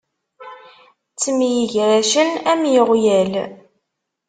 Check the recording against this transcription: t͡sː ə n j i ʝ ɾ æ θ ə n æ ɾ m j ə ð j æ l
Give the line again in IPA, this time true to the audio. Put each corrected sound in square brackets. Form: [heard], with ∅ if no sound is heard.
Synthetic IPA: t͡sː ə [m] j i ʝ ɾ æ [ʃ] ə n æ [∅] m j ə [ʁ] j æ l